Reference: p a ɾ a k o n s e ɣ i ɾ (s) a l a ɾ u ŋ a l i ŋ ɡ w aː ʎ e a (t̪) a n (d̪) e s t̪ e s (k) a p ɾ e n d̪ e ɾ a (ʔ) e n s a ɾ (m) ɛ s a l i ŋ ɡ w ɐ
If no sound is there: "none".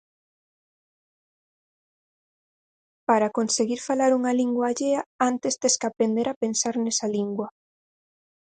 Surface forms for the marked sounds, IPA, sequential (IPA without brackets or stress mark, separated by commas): f, none, t̪, k, p, n